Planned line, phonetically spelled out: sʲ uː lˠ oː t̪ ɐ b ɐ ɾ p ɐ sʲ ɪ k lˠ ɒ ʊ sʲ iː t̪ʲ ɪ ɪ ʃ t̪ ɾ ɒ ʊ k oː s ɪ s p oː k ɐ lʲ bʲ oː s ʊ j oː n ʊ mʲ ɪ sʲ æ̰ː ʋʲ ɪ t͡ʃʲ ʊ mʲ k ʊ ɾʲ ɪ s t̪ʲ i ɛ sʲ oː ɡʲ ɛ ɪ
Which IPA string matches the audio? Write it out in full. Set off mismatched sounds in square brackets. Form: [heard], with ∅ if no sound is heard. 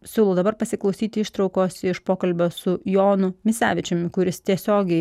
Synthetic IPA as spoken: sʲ uː lˠ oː [d̪] ɐ b ɐ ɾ p ɐ sʲ ɪ k lˠ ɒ ʊ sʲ iː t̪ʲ ɪ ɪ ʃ t̪ ɾ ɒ ʊ k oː s ɪ [ʃ] p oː k ɐ lʲ bʲ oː s ʊ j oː n ʊ mʲ ɪ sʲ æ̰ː ʋʲ ɪ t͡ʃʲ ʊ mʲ k ʊ ɾʲ ɪ s t̪ʲ i ɛ sʲ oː ɡʲ ɛ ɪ